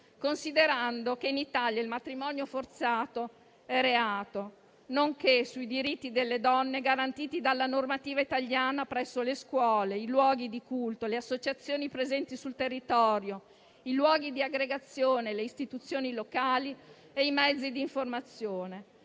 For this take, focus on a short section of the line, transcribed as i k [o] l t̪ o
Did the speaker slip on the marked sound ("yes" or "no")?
yes